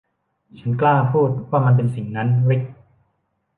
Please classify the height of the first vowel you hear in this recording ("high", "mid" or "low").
low